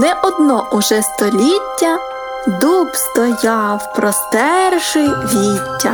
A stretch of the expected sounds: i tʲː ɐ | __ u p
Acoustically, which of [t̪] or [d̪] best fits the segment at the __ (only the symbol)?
d̪